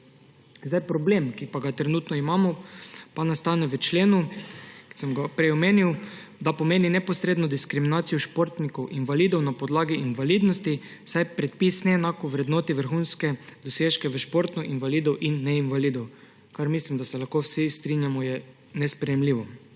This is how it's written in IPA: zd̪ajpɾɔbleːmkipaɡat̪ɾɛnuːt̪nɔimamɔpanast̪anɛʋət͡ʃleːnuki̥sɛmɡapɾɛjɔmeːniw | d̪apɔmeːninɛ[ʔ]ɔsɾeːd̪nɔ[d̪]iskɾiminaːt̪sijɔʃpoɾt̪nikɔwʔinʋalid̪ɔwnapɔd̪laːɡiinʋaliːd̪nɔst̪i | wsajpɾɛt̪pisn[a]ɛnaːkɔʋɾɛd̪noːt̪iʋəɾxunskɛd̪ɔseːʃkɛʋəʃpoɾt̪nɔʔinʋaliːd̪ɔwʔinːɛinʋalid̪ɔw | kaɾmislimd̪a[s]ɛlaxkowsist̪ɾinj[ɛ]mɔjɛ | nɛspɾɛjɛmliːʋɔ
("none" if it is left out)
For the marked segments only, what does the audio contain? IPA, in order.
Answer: p, d̪, ɛ, s, a

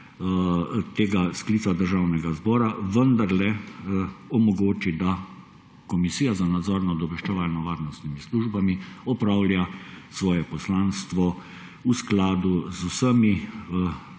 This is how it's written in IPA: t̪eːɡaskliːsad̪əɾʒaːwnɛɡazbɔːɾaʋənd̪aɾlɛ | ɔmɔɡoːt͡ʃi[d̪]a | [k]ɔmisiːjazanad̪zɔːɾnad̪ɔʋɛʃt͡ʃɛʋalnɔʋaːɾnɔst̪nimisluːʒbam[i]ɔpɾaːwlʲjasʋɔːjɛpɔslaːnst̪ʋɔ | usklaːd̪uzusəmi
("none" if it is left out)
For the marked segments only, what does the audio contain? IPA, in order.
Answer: d̪, k, i

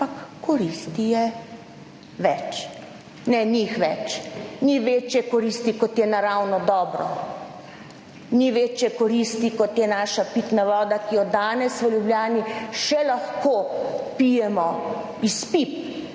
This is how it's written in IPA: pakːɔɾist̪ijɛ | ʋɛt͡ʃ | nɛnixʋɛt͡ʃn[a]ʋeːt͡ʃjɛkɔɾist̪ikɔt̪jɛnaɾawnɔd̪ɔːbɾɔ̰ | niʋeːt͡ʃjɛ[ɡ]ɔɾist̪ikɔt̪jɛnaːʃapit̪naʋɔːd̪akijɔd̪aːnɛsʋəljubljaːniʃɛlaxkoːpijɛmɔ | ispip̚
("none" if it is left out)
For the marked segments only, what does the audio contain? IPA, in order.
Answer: i, k

